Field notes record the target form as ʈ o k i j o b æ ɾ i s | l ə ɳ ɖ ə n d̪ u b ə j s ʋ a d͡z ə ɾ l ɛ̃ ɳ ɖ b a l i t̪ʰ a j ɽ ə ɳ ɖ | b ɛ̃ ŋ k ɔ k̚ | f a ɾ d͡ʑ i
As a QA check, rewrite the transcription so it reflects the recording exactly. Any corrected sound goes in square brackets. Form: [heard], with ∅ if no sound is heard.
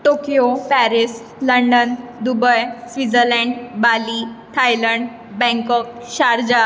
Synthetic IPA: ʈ o k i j o [p] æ ɾ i s | l ə ɳ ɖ ə n d̪ u b ə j s ʋ [i] d͡z ə ɾ l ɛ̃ ɳ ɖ b a l i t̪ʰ a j [l] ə ɳ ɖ | b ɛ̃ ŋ k ɔ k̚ | [ɕ] a ɾ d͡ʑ [a]